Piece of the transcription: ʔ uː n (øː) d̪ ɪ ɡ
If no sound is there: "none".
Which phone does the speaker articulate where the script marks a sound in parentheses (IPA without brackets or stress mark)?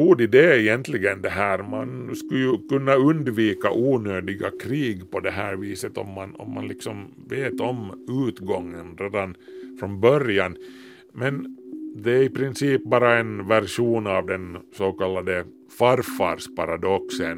øː